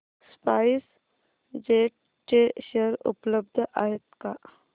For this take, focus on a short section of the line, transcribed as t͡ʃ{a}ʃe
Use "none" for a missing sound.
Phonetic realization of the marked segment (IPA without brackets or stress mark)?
e